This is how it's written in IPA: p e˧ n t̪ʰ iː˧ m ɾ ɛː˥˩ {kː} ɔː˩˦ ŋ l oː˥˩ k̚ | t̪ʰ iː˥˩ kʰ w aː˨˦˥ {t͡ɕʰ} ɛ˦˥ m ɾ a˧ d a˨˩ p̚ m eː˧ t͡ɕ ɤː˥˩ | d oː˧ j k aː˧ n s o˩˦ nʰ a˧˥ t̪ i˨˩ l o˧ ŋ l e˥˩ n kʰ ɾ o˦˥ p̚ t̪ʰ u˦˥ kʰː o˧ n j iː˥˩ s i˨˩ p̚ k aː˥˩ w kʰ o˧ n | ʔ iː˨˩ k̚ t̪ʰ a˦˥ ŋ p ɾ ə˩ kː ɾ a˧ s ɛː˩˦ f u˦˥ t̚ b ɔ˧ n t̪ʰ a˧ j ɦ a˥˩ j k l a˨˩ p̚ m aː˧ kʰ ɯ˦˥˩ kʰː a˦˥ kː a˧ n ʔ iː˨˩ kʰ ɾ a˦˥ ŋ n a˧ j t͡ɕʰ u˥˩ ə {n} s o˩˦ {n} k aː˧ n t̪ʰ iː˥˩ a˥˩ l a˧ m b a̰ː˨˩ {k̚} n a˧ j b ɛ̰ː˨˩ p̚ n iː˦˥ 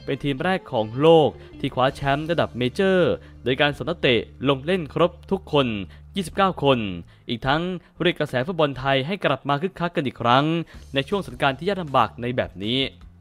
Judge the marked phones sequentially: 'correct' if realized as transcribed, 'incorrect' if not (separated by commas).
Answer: incorrect, correct, incorrect, correct, correct